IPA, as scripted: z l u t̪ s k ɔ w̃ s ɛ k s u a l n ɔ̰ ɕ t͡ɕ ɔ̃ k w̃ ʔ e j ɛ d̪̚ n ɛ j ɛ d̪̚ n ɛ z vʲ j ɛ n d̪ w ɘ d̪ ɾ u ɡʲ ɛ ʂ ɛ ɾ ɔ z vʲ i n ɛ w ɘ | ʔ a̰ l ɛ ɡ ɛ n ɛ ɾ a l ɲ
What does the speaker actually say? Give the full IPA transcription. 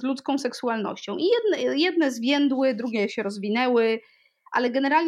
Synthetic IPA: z l u t̪ s k ɔ̃ w̃ s ɛ k s u a l n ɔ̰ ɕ t͡ɕ ɔ̃ w̃ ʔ i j ɛ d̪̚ n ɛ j ɛ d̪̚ n ɛ z vʲ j ɛ n d̪ w ɘ d̪ ɾ u ɡʲ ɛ ɕ ɛ ɾ ɔ z vʲ i n ɛ w ɘ | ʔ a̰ l ɛ ɡ ɛ n ɛ ɾ a l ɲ